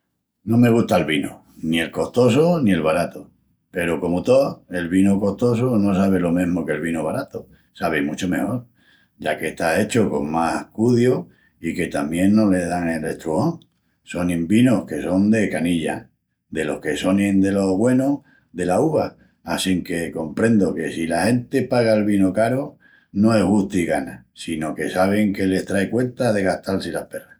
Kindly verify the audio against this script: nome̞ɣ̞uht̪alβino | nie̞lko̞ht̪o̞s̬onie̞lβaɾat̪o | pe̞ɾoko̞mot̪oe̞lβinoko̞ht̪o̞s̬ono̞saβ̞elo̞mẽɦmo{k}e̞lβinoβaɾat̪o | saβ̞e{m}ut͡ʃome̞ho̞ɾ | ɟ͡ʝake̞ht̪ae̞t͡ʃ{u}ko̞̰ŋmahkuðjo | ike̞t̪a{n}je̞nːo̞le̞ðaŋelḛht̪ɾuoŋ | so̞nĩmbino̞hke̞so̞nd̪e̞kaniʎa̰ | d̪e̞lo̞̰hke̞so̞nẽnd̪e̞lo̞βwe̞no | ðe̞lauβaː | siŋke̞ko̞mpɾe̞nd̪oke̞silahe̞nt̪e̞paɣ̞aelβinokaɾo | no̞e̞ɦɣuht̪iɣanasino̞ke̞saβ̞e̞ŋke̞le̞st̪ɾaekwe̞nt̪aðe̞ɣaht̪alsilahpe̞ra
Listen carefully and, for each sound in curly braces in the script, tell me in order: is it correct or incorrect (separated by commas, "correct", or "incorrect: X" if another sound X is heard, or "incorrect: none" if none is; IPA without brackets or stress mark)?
correct, correct, incorrect: o, incorrect: m